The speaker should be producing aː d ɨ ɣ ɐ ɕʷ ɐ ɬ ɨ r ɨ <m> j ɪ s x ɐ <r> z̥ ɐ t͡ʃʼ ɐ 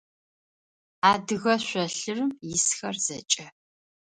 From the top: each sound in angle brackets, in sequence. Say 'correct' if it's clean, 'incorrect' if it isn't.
correct, correct

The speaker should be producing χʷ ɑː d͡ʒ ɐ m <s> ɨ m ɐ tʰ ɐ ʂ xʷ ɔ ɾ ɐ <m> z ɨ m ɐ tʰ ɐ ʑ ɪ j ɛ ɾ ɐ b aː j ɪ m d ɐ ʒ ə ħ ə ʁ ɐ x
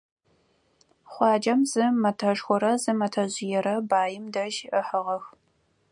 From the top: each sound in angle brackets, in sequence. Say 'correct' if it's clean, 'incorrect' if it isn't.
incorrect, incorrect

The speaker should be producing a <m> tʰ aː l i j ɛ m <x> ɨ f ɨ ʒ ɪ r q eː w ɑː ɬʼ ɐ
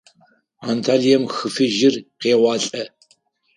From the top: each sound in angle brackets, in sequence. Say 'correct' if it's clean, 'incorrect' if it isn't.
incorrect, correct

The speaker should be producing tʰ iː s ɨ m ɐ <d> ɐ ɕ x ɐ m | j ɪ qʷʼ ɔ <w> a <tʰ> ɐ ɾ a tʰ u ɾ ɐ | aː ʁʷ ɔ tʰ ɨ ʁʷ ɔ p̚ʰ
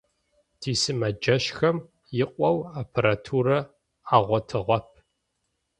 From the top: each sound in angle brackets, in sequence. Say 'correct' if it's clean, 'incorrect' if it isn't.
incorrect, correct, incorrect

